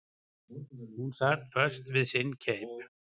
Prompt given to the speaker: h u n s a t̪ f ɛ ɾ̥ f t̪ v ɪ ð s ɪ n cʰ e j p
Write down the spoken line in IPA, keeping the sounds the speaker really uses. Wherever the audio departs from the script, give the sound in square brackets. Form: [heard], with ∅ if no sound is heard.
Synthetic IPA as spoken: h u n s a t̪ f [œ] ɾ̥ [s] t̪ v ɪ ð s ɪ n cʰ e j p